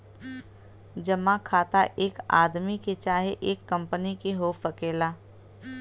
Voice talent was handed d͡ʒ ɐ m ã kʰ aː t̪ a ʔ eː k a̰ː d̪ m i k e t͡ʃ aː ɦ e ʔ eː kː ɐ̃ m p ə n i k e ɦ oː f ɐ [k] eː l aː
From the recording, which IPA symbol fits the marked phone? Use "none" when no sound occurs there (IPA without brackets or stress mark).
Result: k